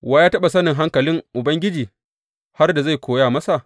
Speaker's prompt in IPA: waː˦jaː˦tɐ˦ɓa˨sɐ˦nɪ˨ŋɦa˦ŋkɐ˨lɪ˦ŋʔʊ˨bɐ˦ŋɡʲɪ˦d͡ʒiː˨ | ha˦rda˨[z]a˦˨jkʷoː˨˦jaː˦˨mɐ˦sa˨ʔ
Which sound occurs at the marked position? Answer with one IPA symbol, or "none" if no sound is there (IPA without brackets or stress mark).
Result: z